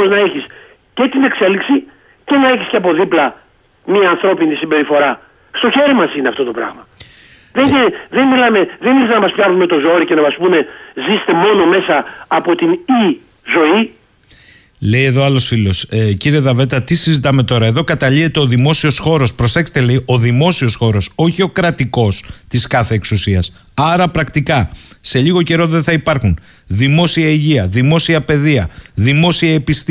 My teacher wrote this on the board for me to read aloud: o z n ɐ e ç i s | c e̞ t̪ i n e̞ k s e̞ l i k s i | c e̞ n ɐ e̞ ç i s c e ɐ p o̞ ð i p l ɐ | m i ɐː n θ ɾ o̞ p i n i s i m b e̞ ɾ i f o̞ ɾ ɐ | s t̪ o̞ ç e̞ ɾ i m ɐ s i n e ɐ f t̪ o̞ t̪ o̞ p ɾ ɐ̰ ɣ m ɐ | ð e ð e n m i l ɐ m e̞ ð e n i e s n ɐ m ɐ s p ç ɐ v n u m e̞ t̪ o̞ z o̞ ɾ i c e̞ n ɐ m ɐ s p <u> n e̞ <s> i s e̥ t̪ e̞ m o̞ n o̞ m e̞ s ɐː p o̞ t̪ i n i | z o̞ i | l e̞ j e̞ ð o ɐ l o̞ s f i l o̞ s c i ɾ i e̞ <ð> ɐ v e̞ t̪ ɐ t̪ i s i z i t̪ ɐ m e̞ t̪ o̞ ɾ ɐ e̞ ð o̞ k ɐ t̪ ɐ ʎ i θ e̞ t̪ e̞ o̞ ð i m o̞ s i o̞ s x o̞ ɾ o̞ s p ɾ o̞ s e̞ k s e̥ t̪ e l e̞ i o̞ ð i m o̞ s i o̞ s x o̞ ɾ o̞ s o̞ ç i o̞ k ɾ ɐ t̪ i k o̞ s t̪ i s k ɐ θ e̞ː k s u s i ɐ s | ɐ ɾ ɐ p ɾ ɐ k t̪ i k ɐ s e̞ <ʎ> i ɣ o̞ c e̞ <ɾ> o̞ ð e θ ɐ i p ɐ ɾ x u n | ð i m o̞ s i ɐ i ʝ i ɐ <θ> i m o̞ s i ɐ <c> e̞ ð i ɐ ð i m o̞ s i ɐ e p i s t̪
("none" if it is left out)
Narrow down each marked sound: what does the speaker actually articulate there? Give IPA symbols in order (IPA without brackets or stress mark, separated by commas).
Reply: u, z, ð, ʎ, ɾ, ð, p